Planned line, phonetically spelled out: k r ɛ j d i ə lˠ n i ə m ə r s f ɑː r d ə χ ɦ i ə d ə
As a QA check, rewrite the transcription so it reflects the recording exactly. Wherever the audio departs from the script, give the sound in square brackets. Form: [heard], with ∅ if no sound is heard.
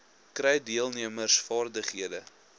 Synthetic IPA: k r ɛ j d i ə lˠ n i ə m ə r s f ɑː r d ə χ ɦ i ə d ə